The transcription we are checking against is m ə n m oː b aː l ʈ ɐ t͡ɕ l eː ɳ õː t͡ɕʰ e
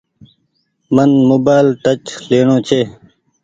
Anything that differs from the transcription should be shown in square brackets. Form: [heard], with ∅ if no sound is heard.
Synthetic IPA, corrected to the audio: m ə n m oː b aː l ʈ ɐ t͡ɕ l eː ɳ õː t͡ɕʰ e